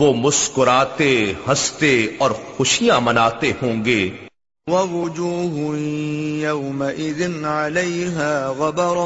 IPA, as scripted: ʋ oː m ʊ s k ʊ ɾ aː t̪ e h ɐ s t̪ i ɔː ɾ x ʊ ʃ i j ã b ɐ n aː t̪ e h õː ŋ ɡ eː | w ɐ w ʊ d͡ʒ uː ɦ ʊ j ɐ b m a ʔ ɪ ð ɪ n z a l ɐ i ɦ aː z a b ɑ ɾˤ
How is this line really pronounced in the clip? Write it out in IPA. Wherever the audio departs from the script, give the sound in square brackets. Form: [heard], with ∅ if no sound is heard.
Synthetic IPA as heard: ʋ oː m ʊ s k ʊ ɾ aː t̪ e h ɐ s t̪ [e] ɔː ɾ x ʊ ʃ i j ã [m] ɐ n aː t̪ e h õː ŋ ɡ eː | w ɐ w ʊ d͡ʒ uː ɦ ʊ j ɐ [w] m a ʔ ɪ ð ɪ n [ʕ] a l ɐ [j] ɦ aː [ɣ] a b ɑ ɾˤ